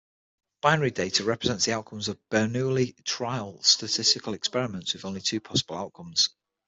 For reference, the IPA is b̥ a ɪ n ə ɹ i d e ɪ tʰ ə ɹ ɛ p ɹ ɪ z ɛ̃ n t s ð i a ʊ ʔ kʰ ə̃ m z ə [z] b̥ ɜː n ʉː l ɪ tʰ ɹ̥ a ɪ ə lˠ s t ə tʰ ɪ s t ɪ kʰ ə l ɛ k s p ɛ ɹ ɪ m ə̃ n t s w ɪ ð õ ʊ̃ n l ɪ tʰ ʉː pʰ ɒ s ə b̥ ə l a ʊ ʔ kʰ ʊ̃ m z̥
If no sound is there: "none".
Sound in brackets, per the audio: v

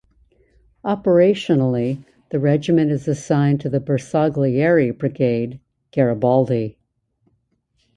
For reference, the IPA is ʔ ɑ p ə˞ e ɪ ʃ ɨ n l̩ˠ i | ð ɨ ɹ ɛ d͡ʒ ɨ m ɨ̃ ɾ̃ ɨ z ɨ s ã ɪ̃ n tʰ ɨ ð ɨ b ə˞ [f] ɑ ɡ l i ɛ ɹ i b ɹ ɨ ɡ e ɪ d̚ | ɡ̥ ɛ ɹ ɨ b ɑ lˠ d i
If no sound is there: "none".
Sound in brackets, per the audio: s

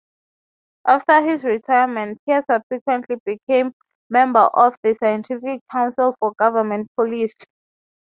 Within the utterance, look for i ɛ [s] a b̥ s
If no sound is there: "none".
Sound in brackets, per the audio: s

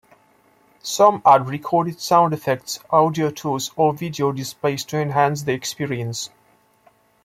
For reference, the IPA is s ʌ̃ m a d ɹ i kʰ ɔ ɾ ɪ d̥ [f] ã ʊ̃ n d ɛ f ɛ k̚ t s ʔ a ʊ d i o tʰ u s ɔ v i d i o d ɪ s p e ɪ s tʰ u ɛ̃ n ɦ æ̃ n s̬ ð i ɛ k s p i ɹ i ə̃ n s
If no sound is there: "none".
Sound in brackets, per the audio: s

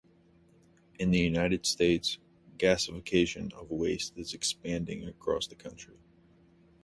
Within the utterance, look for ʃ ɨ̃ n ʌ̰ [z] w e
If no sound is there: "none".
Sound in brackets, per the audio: v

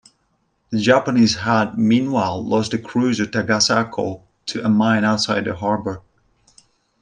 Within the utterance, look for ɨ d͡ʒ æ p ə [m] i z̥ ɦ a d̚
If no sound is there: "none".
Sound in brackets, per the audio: n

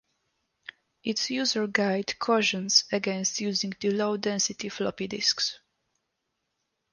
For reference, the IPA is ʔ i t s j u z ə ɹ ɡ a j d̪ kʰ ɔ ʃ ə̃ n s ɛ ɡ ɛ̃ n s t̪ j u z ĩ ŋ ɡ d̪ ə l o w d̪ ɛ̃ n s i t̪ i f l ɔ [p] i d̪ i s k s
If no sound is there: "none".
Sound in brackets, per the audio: p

